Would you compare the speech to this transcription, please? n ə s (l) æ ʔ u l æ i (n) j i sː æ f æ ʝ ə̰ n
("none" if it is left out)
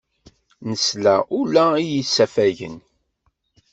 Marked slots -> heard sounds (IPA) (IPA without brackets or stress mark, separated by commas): l, none